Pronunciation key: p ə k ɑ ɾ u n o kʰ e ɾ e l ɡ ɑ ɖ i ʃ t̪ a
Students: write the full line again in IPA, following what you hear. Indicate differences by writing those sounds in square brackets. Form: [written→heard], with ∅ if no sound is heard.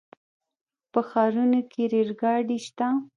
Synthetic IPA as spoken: p ə [k→x] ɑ ɾ u n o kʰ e ɾ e [l→ɾ] ɡ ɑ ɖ i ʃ t̪ a